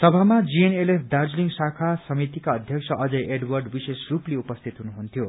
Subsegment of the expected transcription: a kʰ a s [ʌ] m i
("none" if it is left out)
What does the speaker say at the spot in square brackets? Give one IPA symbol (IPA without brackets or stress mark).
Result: ʌ